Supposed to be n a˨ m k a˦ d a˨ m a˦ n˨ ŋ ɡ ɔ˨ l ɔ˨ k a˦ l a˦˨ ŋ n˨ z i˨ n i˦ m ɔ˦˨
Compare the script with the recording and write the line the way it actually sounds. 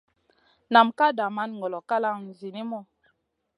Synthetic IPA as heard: n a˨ m k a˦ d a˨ m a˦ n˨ ŋ ɡ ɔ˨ l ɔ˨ k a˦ l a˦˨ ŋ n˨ z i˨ n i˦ m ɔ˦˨